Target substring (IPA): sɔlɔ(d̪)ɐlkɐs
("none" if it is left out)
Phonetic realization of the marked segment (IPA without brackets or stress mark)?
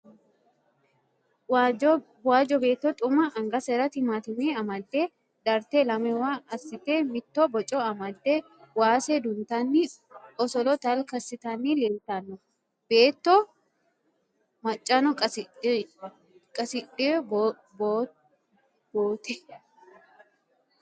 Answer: t̪